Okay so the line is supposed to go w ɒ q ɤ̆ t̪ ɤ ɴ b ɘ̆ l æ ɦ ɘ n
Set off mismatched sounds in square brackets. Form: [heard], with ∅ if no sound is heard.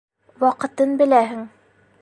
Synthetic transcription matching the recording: w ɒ q ɤ̆ t̪ ɤ [n] b ɘ̆ l æ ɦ ɘ [ŋ]